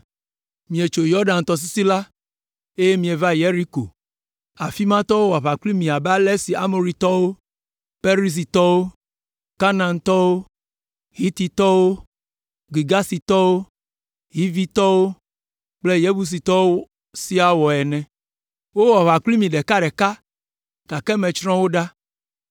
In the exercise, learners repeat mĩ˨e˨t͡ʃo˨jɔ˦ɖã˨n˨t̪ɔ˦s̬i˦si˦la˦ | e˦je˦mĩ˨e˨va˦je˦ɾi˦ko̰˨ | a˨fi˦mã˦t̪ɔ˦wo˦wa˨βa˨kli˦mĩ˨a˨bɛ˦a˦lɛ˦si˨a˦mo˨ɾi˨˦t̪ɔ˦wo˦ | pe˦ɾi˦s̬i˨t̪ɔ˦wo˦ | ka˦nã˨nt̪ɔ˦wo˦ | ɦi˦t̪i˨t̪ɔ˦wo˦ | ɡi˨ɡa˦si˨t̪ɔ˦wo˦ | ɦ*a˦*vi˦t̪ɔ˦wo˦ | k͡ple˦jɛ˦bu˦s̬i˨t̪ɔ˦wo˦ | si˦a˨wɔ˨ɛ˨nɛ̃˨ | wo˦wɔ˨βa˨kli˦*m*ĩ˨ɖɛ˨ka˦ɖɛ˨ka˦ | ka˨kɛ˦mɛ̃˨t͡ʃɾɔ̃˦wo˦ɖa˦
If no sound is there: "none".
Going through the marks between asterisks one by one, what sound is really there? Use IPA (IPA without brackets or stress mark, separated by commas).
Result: i˦, m